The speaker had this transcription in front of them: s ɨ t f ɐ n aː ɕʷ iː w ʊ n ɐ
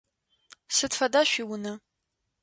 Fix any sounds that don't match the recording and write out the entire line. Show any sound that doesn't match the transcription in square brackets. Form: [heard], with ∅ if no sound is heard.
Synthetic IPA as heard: s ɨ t f ɐ [d] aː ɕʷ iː w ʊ n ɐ